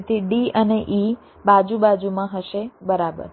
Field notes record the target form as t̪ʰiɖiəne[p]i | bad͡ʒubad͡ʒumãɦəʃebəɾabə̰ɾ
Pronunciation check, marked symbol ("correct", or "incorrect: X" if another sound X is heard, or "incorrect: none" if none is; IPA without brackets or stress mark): incorrect: ʔ